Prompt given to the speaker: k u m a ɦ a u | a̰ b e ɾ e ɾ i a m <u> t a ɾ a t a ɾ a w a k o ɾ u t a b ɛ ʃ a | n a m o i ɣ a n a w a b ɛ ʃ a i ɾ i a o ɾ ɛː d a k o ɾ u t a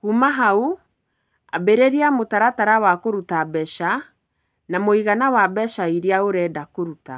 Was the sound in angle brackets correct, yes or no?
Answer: no